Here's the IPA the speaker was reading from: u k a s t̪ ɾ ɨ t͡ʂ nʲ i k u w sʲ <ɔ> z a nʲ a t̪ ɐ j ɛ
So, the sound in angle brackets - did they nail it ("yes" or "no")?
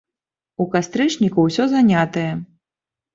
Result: yes